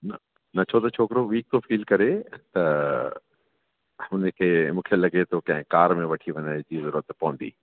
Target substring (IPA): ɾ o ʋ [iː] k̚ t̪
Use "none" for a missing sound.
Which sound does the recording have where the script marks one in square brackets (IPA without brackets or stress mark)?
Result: iː